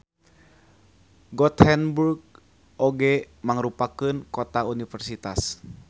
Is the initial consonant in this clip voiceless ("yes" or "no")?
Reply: no